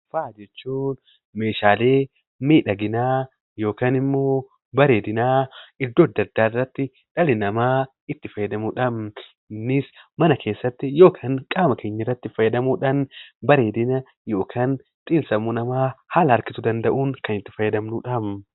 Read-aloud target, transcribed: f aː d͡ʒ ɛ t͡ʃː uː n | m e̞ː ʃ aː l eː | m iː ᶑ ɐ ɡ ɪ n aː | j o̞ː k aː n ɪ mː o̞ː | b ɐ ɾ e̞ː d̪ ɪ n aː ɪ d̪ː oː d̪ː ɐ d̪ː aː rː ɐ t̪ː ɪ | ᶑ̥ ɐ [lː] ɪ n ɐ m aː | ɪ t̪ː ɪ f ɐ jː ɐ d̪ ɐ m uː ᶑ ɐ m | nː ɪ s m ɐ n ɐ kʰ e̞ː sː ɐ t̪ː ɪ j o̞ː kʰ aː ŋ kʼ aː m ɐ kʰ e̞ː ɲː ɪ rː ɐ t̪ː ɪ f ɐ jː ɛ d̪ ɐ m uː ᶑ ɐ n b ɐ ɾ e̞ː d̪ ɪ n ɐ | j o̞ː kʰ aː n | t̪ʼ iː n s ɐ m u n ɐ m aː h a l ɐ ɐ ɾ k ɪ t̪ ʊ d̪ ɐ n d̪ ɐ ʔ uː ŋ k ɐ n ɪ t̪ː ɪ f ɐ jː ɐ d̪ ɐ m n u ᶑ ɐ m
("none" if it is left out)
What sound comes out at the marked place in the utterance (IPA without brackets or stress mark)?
l